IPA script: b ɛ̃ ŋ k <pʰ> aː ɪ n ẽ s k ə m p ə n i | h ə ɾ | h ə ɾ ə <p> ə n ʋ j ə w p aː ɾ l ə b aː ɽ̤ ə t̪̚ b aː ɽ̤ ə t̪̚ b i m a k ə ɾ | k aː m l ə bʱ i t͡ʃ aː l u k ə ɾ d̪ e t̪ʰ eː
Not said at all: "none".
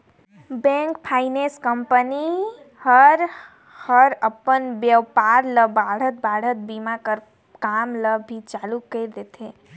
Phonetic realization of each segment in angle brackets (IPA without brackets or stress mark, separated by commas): pʰ, p